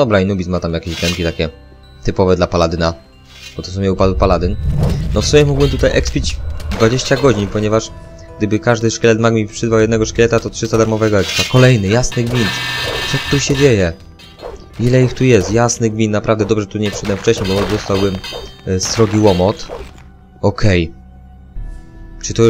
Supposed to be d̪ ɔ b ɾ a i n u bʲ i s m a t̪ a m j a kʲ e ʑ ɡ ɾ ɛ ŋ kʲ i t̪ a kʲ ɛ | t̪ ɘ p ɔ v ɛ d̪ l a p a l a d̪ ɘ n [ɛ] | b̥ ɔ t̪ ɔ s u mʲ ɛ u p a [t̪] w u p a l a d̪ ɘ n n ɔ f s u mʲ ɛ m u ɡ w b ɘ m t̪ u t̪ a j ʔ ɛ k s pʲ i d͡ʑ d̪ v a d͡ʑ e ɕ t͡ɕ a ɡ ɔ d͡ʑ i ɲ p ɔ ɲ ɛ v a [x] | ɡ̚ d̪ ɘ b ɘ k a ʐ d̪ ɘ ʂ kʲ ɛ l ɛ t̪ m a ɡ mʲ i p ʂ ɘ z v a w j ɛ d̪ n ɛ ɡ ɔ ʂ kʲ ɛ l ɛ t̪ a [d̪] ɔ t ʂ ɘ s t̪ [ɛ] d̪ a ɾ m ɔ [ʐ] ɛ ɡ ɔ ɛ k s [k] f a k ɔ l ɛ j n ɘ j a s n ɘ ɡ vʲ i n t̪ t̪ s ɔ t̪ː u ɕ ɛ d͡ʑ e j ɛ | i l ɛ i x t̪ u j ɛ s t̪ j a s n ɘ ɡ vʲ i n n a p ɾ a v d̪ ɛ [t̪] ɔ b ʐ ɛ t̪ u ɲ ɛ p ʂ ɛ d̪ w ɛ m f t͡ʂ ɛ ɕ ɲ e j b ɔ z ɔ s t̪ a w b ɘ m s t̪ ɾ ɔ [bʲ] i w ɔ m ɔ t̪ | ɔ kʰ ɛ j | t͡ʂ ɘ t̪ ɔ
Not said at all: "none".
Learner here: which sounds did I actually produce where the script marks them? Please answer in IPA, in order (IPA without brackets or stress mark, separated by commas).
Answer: a, d̪, ʂ, t̪, a, v, p, d̪, ɡʲ